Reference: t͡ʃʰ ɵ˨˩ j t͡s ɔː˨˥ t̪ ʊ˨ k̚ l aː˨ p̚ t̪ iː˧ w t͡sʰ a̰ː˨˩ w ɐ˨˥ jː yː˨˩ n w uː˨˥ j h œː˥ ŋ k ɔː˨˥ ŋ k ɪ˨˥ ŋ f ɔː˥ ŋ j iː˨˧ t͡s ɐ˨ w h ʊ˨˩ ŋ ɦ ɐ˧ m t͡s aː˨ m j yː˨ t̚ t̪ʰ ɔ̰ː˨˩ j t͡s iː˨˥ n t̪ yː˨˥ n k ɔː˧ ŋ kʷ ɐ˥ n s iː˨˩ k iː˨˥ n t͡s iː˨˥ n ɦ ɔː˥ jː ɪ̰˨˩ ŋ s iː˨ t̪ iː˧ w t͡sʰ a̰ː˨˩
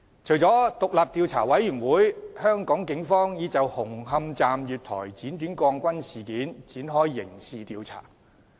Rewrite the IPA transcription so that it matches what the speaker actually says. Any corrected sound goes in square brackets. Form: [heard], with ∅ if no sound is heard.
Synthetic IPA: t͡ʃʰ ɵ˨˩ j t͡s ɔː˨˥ t̪ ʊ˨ k̚ l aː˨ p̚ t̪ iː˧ w t͡sʰ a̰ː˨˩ w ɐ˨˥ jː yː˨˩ n w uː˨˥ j h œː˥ ŋ k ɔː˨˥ ŋ k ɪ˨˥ ŋ f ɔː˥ ŋ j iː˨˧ t͡s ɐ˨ w h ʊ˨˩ ŋ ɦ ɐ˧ m t͡s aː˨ m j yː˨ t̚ t̪ʰ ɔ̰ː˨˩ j t͡s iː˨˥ n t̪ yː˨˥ n k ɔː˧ ŋ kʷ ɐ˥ n s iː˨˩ k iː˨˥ n t͡s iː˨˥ n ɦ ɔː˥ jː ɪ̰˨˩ ŋ s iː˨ t̪ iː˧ w t͡sʰ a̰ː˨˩